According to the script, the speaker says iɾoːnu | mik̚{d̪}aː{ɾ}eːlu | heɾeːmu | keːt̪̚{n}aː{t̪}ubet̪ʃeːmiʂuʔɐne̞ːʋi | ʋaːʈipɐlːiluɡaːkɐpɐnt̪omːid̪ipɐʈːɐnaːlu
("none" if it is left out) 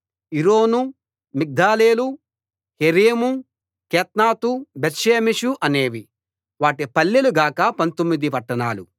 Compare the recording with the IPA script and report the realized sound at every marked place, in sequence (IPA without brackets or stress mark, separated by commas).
d̪, l, n, t̪